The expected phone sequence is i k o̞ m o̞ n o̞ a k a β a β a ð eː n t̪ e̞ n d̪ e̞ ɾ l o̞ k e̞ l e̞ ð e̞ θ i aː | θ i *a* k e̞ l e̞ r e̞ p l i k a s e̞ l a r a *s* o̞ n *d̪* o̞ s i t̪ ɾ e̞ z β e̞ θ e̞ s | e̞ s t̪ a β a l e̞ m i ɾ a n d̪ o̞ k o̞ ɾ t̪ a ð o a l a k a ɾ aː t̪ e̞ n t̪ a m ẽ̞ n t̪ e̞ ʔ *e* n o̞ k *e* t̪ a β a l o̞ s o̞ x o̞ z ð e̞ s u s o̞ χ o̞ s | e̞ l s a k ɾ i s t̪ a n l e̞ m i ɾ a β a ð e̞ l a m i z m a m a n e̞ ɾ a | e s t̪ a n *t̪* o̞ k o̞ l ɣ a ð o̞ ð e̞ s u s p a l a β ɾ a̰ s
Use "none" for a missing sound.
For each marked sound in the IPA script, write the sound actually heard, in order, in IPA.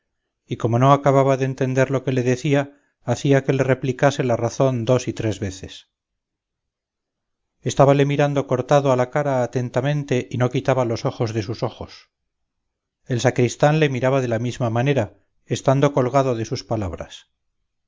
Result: a, θ, d̪, i, i, d̪

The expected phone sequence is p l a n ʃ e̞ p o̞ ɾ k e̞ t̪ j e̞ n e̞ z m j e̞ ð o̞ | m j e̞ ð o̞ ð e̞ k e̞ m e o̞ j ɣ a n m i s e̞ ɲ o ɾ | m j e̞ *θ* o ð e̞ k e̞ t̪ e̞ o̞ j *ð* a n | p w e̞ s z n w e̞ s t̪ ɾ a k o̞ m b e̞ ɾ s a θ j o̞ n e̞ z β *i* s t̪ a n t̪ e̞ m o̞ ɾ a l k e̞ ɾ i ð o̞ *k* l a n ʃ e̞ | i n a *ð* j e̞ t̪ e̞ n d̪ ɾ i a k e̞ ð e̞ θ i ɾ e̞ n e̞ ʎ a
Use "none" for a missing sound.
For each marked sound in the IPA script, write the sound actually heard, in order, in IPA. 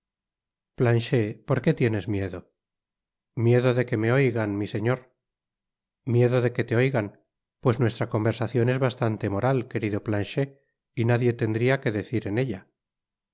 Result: ð, ɣ, a, p, ð

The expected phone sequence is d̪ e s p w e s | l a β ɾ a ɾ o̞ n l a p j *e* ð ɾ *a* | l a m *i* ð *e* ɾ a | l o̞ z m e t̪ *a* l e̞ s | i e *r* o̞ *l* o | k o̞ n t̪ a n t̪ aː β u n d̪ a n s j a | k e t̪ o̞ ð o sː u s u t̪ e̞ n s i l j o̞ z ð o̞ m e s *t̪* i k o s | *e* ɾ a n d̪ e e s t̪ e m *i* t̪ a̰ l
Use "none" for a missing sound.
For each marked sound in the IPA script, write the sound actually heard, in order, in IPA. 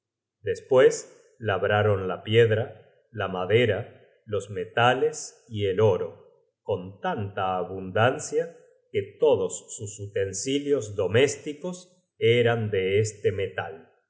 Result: e, a, a, e, a, l, ɾ, t̪, e, e

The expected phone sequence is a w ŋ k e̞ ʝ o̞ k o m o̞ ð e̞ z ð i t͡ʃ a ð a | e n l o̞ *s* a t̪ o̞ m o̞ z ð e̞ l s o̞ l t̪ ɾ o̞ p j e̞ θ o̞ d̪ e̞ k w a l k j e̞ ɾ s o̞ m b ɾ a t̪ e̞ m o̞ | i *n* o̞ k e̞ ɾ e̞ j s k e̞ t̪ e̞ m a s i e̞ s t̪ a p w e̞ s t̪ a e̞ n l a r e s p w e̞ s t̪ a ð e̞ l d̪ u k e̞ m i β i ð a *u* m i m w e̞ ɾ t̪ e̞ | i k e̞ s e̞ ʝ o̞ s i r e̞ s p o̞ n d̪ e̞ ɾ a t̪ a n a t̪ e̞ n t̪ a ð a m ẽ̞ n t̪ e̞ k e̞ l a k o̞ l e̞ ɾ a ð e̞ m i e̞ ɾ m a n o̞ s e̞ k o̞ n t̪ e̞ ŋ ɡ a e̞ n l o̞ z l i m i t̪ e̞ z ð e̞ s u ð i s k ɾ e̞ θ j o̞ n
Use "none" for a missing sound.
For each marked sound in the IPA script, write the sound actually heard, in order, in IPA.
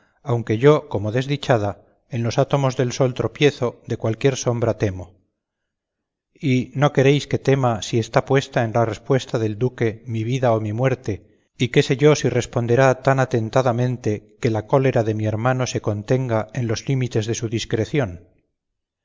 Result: s, n, o

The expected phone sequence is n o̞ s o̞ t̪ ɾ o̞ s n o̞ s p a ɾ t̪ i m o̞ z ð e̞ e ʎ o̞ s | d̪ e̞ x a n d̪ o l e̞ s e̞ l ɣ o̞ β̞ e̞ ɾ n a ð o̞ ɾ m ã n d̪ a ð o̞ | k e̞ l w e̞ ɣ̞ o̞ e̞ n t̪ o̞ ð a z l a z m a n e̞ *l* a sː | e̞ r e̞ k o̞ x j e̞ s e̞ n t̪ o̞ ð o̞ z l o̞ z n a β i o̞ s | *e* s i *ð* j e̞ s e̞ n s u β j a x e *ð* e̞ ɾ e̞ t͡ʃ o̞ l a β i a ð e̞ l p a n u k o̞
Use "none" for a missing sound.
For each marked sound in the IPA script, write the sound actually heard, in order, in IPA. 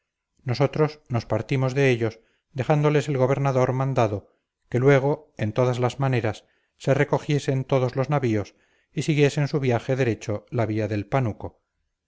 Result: ɾ, i, ɣ, ð

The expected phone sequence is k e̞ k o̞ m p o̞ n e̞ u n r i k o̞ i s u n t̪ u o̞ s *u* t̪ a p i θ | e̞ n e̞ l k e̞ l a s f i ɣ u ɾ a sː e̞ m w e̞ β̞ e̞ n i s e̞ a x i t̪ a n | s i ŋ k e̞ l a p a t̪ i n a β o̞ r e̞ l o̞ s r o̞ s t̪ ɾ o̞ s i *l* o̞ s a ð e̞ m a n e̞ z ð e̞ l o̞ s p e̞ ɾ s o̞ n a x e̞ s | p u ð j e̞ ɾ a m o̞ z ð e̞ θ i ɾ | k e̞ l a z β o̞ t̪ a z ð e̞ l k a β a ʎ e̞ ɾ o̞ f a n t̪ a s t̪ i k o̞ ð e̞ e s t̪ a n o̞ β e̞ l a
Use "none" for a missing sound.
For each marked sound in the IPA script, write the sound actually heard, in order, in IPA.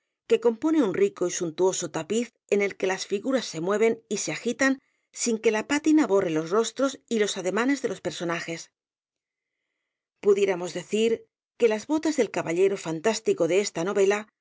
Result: o, l

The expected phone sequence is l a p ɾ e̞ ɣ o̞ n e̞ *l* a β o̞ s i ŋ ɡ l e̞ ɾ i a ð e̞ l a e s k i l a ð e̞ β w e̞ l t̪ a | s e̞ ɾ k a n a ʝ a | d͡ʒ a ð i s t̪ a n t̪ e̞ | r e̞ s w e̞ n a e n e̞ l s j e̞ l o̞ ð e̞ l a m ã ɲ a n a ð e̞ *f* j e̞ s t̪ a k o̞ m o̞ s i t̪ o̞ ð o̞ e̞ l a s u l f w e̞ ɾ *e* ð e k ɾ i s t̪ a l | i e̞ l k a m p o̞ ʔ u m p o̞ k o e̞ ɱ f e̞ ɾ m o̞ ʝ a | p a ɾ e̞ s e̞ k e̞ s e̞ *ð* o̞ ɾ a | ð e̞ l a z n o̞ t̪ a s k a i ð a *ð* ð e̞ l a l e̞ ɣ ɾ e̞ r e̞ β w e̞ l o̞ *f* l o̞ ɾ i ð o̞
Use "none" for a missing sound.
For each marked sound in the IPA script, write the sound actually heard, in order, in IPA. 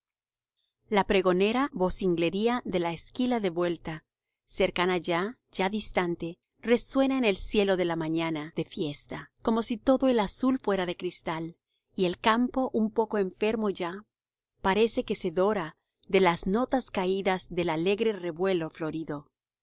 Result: ɾ, f, a, ð, z, f

